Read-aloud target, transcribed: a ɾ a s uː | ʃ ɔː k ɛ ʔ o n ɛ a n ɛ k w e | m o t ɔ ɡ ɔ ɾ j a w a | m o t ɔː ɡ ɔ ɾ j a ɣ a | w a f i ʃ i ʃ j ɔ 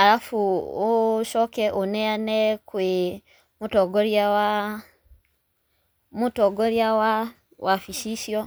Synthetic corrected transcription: a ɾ a f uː | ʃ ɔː k ɛ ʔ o n ɛ a n ɛ k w e | m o t ɔ ɡ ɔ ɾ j a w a | m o t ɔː ɡ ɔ ɾ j a w a | w a f i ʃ i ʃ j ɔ